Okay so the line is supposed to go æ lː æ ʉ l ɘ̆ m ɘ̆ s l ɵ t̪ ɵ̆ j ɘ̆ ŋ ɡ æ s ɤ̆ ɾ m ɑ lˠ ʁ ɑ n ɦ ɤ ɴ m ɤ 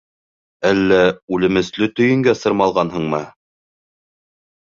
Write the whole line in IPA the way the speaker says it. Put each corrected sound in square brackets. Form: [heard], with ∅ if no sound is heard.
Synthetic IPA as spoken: æ lː æ ʉ l ɘ̆ m ɘ̆ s l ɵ t̪ ɵ̆ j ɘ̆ ŋ ɡ æ s ɤ̆ ɾ m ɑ lˠ ʁ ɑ n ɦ ɤ ɴ m ɤ